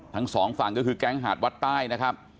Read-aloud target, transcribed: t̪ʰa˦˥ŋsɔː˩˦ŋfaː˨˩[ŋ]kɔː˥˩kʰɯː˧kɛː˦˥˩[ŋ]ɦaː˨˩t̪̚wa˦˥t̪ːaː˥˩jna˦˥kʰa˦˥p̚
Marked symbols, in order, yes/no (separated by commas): yes, yes